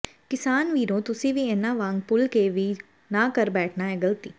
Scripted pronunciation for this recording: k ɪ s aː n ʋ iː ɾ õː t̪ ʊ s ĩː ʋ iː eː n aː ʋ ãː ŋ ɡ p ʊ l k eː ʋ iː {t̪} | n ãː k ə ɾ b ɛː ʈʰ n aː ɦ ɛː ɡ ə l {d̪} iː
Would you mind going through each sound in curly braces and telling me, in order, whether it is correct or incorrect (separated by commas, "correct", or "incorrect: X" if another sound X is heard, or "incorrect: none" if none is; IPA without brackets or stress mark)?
incorrect: none, incorrect: t̪